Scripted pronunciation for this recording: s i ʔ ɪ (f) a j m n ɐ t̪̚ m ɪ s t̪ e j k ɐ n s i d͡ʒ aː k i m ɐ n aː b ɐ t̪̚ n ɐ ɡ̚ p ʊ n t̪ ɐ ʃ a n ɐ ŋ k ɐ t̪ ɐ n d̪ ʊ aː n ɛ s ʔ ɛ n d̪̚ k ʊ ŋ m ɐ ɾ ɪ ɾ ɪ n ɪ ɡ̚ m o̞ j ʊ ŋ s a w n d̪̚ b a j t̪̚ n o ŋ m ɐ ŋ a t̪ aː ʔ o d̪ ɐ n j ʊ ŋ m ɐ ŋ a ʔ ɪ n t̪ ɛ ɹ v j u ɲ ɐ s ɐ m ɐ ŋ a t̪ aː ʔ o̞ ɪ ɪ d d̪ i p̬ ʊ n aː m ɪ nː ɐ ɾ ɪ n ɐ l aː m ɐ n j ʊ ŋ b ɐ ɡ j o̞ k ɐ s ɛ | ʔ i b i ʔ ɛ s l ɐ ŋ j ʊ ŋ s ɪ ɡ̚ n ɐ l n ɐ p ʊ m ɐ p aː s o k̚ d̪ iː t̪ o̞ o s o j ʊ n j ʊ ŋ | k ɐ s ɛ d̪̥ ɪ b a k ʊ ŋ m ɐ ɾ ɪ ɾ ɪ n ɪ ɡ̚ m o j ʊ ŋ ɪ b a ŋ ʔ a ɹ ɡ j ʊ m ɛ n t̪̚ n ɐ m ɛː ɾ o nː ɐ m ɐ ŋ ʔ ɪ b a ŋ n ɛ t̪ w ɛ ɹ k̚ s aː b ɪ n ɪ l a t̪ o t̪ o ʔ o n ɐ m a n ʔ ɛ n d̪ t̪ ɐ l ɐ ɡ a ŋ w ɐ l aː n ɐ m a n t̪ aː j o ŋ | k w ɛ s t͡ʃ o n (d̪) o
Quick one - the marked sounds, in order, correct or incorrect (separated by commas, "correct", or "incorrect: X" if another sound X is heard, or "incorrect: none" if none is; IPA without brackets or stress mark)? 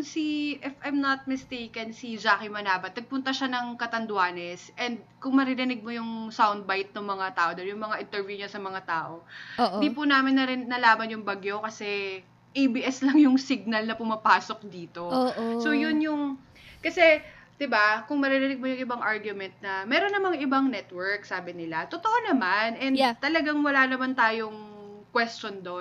correct, correct